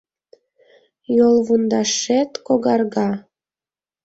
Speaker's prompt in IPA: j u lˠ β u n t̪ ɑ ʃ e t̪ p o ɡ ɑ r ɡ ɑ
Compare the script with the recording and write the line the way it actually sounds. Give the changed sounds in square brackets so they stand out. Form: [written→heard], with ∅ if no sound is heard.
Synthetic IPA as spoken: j [u→o] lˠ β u n [t̪→d̪] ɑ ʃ e t̪ [p→k] o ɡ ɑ r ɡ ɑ